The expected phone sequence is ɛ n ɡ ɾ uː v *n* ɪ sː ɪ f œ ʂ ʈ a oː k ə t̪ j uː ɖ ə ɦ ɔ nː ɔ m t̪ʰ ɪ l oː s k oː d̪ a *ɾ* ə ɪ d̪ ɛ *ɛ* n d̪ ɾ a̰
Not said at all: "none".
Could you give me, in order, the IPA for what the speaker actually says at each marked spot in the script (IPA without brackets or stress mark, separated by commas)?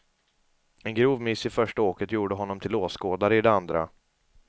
m, ɾ, a